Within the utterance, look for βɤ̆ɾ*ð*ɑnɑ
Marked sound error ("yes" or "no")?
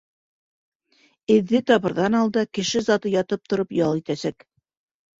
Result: no